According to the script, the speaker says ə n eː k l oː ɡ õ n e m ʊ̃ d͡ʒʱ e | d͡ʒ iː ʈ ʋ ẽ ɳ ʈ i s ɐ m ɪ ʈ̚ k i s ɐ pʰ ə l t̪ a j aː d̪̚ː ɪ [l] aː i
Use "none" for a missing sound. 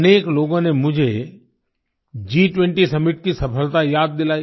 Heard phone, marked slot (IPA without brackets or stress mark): l